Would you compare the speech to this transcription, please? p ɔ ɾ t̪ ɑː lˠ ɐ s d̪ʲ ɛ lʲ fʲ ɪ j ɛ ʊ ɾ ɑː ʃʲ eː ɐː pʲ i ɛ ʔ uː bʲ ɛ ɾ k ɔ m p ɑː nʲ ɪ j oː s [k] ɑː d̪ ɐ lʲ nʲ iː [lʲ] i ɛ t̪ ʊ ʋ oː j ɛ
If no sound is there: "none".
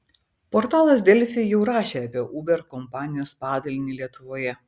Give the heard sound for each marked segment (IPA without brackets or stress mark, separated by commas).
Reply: p, lʲ